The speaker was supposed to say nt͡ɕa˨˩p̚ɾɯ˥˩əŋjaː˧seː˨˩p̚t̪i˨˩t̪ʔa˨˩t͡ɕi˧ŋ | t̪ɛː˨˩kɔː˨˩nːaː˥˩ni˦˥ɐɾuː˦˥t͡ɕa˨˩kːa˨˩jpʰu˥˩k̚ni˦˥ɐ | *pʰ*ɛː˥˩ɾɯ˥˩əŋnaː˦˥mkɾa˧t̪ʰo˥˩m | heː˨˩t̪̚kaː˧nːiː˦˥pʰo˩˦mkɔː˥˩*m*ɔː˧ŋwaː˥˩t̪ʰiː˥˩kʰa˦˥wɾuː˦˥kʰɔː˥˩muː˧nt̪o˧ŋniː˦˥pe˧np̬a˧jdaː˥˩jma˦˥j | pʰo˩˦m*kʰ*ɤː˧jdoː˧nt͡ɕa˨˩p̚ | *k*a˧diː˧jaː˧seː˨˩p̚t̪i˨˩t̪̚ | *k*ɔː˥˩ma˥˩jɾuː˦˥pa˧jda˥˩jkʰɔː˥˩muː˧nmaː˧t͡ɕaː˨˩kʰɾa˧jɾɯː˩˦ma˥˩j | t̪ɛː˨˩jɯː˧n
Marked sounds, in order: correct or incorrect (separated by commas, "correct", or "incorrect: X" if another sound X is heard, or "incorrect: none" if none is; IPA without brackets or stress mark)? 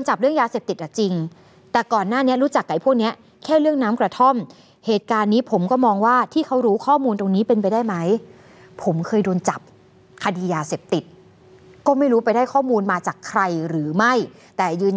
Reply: incorrect: kʰ, correct, correct, incorrect: kʰ, correct